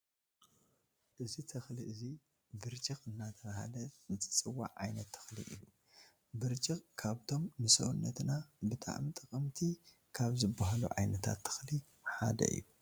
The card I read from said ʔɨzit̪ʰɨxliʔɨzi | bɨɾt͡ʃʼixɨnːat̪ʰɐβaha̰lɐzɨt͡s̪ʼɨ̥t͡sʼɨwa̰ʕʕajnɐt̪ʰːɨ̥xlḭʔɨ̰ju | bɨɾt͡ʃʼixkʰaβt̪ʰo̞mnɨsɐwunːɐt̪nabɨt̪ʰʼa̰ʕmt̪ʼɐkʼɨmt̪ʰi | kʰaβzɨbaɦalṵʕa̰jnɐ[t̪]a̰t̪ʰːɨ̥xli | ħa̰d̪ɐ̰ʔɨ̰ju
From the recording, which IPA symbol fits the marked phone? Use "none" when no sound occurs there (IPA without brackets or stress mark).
t̪ʰ